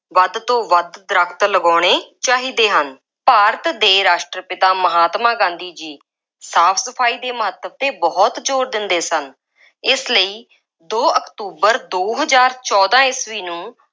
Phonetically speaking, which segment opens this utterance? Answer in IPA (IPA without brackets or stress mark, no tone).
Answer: ʋ